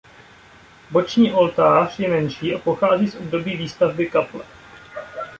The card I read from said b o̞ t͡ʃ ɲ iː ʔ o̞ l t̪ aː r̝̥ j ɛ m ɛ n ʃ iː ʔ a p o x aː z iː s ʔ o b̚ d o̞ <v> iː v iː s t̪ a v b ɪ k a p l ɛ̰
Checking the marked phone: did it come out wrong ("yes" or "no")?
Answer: yes